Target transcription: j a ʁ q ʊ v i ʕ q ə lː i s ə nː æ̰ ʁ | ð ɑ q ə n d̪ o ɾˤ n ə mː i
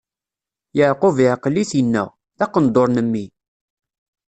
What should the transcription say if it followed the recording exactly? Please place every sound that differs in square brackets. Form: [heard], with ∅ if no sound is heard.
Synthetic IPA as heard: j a [ʕ] q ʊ v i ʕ q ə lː i [θ] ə nː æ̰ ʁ | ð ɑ q ə n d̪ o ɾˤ n ə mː i